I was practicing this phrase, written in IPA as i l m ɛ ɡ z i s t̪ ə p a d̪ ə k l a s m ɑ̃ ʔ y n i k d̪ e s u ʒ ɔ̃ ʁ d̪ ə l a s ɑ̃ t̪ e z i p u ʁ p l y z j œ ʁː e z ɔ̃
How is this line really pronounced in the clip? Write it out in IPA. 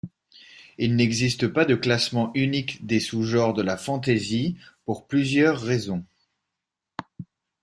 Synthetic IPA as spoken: i l n ɛ ɡ z i s t̪ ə p a d̪ ə k l a s m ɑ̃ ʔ y n i k d̪ e s u ʒ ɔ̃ ʁ d̪ ə l a f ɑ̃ t̪ e z i p u ʁ p l y z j œ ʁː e z ɔ̃